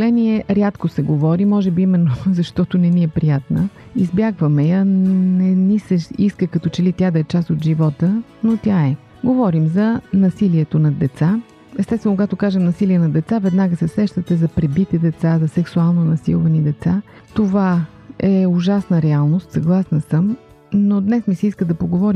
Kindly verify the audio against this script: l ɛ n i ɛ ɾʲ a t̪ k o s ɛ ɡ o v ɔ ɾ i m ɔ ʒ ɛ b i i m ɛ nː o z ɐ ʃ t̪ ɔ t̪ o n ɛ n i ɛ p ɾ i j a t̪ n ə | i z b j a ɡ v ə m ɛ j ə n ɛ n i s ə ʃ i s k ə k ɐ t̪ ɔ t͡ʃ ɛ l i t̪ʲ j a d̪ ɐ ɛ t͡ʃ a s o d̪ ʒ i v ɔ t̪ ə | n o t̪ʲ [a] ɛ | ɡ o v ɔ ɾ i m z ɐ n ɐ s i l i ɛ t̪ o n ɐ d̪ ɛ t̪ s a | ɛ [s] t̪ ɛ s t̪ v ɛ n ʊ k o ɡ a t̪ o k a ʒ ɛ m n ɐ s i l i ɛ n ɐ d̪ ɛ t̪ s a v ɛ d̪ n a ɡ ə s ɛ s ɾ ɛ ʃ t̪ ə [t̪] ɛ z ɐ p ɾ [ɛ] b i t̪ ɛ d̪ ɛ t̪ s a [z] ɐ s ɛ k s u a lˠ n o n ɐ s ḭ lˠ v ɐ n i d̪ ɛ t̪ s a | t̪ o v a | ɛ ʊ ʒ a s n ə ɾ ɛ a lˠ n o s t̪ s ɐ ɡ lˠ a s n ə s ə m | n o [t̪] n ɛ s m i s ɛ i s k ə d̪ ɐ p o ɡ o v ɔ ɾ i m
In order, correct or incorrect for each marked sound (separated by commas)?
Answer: correct, correct, correct, correct, correct, incorrect